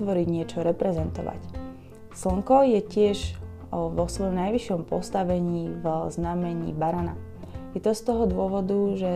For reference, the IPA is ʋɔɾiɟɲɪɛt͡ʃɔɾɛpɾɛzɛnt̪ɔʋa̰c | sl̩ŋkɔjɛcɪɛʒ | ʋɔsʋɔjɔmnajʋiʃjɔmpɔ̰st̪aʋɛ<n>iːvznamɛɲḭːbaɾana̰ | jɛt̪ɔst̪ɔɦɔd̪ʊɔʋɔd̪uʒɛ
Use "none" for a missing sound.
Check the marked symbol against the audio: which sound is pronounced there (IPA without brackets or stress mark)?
ɲ